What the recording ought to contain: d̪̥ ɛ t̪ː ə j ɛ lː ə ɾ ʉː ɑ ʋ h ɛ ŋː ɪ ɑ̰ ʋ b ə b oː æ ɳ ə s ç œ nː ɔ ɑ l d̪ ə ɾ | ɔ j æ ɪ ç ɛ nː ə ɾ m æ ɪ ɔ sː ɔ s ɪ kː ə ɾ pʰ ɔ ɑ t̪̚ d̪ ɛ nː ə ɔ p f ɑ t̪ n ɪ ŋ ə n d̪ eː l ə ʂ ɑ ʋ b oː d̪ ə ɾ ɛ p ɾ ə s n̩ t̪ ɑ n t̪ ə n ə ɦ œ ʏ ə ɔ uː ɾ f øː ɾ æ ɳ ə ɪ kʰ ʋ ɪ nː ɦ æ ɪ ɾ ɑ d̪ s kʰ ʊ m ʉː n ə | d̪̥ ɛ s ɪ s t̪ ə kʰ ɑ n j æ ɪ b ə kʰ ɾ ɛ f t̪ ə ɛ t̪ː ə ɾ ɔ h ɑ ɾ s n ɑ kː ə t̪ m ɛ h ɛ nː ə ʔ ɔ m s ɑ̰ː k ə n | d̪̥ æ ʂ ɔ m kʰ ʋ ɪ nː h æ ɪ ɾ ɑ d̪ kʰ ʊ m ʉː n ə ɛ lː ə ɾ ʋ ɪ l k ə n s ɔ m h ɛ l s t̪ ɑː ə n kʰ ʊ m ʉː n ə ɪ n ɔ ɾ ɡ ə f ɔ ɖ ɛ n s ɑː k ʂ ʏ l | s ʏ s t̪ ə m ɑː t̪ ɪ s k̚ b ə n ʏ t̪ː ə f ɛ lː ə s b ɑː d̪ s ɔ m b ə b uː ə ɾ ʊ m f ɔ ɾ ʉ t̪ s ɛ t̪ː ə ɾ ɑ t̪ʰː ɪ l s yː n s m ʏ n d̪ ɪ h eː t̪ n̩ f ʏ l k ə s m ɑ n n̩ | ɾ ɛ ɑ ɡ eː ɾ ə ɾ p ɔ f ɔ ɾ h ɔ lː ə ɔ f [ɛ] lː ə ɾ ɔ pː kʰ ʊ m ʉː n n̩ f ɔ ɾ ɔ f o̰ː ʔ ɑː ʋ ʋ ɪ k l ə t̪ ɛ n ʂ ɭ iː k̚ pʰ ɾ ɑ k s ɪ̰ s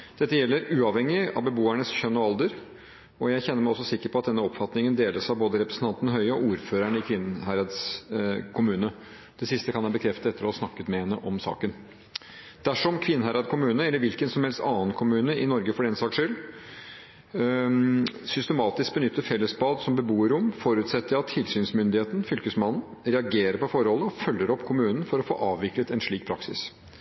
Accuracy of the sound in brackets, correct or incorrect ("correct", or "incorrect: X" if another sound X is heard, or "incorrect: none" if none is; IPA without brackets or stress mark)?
incorrect: œ